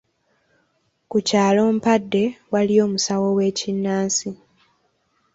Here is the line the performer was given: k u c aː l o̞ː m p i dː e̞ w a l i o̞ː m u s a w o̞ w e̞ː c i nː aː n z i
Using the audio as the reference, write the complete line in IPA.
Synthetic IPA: k u c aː l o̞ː m p a dː e̞ w a l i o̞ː m u s a w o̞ w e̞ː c i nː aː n s i